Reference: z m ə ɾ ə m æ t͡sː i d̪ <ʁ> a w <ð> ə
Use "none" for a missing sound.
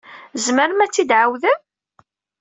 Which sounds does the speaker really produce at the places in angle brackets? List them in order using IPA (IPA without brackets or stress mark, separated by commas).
ʕ, ð